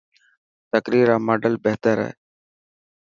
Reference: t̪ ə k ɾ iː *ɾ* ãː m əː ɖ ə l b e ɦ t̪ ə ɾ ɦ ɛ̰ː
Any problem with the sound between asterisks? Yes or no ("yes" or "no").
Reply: no